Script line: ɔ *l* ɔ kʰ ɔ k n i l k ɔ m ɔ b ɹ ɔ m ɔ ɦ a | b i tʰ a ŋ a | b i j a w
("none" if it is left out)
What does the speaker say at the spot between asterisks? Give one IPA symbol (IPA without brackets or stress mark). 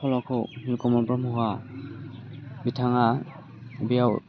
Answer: l